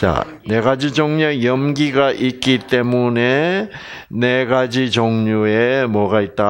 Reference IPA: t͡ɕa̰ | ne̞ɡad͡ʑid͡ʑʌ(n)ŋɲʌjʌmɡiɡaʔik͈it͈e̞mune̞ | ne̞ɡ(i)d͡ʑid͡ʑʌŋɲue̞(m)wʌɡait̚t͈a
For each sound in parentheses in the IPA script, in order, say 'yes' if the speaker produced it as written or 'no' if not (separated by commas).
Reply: no, no, yes